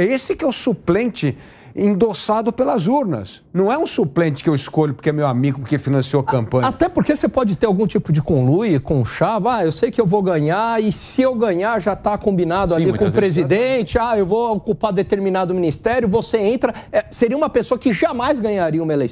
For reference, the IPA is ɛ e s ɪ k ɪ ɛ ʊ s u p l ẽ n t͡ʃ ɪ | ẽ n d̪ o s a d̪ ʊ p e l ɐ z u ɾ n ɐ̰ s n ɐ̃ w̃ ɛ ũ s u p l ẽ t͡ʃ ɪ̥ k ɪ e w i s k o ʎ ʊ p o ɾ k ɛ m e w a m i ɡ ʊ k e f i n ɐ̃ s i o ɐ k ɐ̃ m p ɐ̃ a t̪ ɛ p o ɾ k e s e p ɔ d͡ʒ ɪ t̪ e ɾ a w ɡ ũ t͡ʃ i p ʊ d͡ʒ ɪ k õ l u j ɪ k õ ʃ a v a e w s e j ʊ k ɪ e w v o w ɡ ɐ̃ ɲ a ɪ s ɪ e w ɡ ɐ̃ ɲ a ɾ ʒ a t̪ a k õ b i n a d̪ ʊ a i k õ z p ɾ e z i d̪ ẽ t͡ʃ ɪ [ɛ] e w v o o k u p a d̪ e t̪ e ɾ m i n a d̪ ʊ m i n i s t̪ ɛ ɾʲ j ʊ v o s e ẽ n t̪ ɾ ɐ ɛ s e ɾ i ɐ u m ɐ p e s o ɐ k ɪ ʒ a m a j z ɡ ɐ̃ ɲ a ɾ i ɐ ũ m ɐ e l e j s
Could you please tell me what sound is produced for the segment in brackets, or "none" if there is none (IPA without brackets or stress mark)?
a